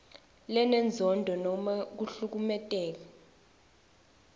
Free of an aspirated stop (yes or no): yes